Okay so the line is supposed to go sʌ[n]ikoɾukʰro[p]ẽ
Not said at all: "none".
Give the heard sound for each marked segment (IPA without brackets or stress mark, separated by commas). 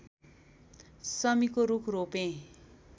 m, p